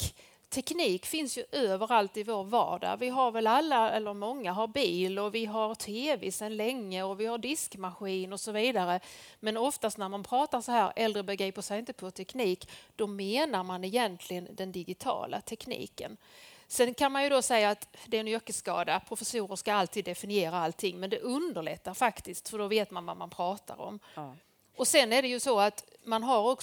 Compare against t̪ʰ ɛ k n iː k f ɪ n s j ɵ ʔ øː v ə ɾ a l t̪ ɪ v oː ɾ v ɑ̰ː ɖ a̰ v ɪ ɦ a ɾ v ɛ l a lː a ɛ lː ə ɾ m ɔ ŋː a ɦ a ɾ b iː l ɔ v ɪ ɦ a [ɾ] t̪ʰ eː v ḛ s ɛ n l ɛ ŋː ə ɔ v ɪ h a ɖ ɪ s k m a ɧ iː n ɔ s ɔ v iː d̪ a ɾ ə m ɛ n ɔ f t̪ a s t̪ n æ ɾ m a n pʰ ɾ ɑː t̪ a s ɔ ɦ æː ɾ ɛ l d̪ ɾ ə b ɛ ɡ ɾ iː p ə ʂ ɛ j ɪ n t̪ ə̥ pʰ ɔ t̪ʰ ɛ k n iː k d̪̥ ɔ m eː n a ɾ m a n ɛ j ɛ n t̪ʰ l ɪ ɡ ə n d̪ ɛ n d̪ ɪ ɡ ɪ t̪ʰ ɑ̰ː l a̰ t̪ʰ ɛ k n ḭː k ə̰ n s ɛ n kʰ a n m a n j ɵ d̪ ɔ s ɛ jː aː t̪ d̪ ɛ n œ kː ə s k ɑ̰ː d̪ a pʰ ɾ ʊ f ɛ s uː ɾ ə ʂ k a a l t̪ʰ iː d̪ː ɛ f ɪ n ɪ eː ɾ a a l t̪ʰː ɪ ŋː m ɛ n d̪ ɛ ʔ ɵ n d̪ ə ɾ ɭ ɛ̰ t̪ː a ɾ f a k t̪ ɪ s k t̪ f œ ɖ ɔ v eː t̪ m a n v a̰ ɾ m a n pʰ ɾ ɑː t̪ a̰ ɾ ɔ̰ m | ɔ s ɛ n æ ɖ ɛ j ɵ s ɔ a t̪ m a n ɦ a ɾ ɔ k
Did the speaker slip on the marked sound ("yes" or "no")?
no